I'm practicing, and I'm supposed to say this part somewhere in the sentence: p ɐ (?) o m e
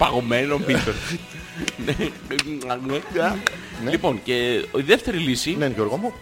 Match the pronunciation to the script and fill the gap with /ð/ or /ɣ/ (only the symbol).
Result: ɣ